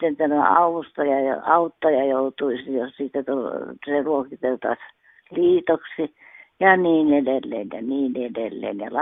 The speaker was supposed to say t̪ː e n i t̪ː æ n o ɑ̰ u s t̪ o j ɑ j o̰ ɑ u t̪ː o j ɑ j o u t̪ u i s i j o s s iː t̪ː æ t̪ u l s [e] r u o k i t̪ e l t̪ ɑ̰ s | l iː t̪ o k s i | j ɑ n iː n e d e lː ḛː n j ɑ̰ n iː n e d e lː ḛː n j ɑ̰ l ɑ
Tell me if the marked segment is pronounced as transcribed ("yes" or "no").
yes